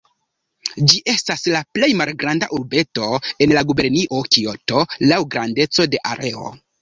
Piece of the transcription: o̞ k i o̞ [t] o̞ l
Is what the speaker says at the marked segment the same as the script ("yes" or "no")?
yes